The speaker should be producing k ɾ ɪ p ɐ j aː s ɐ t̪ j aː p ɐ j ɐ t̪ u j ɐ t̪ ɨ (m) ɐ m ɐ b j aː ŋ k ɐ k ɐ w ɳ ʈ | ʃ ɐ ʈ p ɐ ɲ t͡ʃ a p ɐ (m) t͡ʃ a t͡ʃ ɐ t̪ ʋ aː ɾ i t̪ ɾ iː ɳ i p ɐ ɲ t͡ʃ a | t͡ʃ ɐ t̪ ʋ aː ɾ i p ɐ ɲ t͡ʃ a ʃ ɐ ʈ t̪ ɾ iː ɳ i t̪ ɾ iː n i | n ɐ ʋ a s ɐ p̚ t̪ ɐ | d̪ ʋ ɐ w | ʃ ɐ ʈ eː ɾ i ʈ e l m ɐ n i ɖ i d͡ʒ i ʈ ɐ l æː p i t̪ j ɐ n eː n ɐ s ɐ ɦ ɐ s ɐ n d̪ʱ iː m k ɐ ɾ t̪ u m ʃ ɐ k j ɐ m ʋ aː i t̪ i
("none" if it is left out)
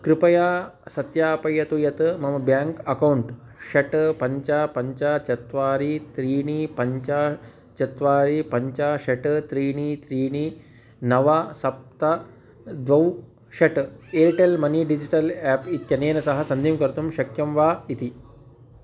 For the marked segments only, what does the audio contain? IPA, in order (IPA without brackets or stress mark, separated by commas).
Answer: m, ɲ